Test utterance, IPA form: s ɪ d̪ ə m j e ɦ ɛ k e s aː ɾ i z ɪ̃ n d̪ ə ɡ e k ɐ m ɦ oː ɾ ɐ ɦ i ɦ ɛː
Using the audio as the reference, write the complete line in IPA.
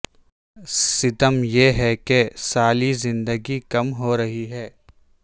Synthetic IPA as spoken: s ɪ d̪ ə m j e ɦ ɛ k e s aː l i z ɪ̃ n d̪ ə ɡ i k ɐ m ɦ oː ɾ ɐ ɦ i ɦ ɛː